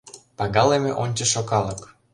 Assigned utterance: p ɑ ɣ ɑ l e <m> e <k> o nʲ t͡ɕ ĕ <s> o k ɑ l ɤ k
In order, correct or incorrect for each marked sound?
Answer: correct, incorrect, incorrect

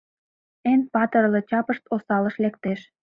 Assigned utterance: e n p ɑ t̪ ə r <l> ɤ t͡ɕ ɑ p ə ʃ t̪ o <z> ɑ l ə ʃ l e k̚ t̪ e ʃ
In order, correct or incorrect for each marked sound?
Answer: correct, incorrect

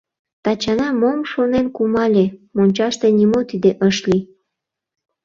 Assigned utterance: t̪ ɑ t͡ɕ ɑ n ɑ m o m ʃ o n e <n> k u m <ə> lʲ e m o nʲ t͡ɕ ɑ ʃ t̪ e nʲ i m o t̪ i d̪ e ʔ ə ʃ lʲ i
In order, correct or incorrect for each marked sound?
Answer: correct, incorrect

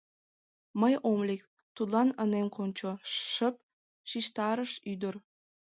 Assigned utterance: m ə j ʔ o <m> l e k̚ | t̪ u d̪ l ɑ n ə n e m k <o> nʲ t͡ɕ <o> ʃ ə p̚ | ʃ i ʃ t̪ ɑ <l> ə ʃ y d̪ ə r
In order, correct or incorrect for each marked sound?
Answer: correct, correct, correct, incorrect

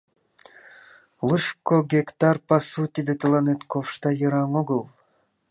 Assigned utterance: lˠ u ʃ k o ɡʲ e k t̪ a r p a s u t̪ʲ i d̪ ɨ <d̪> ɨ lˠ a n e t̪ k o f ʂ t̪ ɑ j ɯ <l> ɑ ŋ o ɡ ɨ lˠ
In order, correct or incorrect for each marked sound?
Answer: incorrect, incorrect

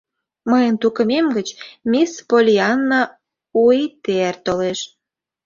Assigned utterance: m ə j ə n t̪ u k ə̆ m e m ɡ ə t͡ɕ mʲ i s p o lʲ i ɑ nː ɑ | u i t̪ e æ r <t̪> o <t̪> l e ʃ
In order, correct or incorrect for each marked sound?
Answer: correct, incorrect

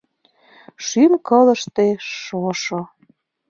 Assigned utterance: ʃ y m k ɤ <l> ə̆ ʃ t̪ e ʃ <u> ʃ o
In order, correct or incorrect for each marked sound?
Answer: correct, incorrect

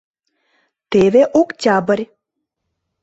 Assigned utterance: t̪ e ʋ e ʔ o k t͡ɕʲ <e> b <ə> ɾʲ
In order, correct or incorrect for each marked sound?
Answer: incorrect, correct

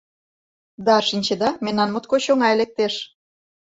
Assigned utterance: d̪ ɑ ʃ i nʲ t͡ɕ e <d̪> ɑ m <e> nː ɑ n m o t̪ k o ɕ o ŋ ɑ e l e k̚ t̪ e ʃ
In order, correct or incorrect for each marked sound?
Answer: correct, correct

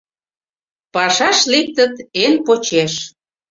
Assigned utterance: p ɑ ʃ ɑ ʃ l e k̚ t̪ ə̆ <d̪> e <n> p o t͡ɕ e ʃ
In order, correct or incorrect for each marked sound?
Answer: incorrect, correct

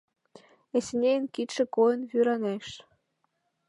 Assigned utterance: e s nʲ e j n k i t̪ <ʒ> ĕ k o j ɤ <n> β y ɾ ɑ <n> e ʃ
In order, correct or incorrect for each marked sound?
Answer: incorrect, correct, correct

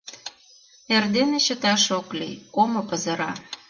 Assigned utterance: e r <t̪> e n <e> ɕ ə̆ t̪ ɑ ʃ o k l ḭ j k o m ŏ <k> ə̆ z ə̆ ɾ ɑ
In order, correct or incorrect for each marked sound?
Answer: incorrect, correct, incorrect

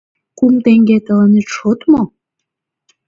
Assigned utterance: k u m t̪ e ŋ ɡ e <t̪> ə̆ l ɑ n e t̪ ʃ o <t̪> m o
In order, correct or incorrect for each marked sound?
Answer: correct, correct

